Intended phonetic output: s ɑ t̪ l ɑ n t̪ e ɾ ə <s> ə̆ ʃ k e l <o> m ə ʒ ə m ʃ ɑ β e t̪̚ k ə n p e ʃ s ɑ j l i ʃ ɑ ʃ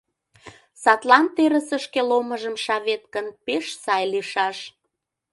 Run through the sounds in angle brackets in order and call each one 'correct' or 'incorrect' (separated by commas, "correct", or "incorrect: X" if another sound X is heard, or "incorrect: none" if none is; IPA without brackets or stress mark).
correct, correct